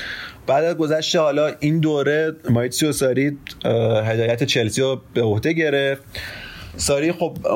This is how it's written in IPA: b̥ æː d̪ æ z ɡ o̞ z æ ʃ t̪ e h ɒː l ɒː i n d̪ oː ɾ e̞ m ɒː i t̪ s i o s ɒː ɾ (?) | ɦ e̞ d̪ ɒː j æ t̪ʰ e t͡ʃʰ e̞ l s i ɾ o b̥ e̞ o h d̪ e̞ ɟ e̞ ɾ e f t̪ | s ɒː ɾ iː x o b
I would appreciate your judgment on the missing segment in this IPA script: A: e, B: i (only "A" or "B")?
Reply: B